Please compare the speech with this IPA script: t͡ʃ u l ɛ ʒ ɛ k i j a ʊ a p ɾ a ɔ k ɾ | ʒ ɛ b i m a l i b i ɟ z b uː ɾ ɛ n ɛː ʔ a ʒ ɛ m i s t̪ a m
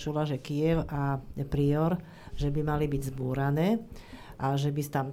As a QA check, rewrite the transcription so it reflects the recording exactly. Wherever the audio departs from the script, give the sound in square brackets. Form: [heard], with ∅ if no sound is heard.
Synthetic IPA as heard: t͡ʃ u l [a] ʒ ɛ k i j [ɛ] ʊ a p ɾ [i] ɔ [∅] ɾ | ʒ ɛ b i m a l i b i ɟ z b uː ɾ [a] n ɛː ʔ a ʒ ɛ [b] i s t̪ a m